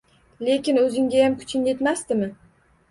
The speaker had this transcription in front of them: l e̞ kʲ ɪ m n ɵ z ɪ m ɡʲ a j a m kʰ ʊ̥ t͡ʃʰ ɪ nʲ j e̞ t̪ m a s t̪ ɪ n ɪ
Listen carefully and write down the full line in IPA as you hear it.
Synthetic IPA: l e̞ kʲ ɪ n ɵ z ɪ ŋ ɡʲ a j a m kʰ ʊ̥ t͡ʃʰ ɪ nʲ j e̞ t̪ m a s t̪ ɪ m ɪ